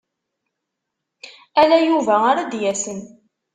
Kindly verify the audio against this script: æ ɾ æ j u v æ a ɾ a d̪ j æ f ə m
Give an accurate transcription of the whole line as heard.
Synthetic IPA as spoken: æ l æ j u v æ a ɾ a d̪ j æ s ə n